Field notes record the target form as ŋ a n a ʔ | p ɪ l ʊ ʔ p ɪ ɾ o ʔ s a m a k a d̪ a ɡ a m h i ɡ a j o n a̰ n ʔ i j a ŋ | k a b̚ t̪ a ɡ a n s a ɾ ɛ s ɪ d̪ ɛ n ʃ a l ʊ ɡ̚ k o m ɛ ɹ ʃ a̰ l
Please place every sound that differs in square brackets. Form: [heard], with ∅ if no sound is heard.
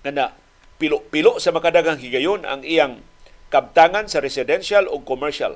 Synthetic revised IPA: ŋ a n a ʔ | p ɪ l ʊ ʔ p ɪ [l] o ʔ s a m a k a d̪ a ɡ a [ŋ] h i ɡ a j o n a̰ [ŋ] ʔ i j a ŋ | k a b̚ t̪ a [ŋ] a n s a ɾ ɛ s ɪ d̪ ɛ n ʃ a l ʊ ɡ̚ k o m ɛ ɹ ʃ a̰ l